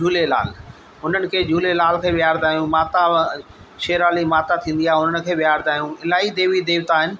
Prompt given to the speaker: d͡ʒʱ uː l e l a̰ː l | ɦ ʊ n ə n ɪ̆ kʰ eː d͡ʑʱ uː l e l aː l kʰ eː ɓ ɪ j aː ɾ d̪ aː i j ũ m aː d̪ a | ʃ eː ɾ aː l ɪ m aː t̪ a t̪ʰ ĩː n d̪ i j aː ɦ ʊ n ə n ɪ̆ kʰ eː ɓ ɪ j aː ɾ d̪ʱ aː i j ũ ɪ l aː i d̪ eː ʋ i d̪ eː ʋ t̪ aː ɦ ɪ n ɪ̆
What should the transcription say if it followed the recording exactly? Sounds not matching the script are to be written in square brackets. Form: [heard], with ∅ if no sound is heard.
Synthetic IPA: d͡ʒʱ uː l e l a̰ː l | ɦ ʊ n ə n ɪ̆ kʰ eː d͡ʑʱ uː l e l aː l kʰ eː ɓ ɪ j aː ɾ d̪ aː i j ũ m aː [t̪] a | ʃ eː ɾ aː l [i] m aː t̪ a t̪ʰ ĩː n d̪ i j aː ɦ ʊ n ə n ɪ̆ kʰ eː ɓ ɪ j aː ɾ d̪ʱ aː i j ũ ɪ l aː i d̪ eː ʋ i d̪ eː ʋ t̪ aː ɦ ɪ n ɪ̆